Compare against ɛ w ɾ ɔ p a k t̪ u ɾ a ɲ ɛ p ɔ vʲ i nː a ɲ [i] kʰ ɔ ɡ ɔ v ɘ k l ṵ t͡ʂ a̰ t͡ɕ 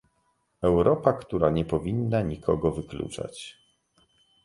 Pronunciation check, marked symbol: correct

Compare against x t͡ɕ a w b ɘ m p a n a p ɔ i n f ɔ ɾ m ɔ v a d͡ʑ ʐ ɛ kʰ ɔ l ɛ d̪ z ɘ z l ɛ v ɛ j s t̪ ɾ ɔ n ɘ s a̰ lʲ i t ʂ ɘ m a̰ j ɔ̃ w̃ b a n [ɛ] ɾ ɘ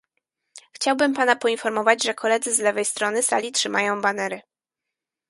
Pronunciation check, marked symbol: correct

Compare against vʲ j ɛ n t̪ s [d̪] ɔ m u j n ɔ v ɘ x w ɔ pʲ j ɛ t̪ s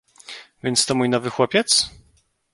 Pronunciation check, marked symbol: incorrect: t̪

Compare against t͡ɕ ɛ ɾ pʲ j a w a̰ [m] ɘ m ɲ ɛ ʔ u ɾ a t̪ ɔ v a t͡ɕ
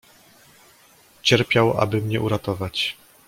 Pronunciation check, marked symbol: incorrect: b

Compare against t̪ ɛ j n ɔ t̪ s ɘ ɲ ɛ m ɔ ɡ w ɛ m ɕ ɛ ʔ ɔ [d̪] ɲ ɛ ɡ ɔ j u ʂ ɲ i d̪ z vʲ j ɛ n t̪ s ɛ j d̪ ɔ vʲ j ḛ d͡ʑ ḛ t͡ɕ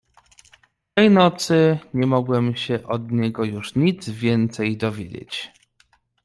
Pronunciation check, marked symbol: correct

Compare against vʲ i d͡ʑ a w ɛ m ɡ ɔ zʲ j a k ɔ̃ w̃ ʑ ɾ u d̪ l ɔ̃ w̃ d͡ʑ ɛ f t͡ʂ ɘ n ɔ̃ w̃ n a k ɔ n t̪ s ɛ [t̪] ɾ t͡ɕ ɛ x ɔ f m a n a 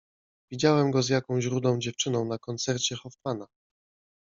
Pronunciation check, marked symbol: incorrect: none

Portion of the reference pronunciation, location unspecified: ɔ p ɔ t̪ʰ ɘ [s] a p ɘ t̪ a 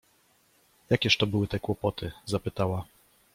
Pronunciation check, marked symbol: incorrect: z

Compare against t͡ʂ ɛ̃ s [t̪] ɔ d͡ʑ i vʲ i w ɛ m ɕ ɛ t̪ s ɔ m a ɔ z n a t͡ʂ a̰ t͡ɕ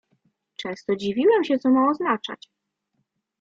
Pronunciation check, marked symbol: correct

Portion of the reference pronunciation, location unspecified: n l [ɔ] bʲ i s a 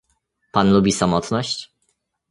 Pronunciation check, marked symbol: incorrect: u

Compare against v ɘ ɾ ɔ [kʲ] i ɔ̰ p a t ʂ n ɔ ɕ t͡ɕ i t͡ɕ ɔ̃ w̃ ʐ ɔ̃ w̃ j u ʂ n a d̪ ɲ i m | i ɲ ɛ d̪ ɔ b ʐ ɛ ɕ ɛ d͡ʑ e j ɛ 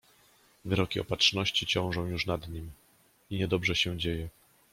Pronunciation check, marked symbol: correct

